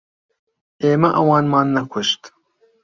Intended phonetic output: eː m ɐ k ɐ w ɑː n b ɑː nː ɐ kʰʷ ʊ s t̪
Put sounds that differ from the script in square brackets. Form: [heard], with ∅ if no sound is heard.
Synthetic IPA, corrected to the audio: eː m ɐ [ʔ] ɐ w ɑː n [m] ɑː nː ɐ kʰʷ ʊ [ʃ] t̪